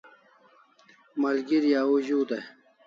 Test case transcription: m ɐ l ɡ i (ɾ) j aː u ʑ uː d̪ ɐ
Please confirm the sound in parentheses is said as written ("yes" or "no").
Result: yes